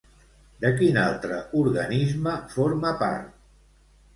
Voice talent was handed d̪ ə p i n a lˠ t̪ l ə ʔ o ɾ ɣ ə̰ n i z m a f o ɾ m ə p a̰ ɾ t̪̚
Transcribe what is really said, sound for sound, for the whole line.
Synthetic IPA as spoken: d̪ ə k i n a lˠ t̪ ɾ ə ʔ u ɾ ɣ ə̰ n i z m ə f o ɾ m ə p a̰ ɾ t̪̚